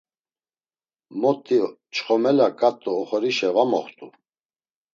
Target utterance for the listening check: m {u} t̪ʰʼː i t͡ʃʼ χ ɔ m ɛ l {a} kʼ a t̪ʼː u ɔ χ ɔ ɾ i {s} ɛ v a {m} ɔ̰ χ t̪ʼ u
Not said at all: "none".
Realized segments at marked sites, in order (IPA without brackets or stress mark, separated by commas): ɔ, a, ʃ, m